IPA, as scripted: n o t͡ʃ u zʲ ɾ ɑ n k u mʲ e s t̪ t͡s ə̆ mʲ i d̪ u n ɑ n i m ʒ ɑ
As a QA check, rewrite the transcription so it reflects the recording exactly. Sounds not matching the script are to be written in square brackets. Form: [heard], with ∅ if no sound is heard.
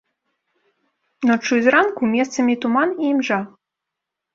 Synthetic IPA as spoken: n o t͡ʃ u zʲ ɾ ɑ n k u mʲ e s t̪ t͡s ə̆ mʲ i [t̪] u [m] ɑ n i m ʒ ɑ